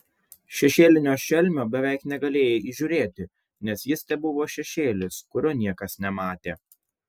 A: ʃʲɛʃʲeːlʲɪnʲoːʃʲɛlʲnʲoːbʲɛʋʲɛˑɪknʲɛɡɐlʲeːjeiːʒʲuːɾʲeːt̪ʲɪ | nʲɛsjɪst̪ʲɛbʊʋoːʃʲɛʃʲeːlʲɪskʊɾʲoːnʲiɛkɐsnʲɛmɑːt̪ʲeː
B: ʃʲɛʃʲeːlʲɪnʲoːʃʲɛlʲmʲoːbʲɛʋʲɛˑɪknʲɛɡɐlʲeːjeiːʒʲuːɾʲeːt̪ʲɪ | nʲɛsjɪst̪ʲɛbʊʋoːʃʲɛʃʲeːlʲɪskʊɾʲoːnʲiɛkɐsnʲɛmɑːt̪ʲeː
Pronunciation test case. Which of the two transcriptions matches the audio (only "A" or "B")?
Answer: B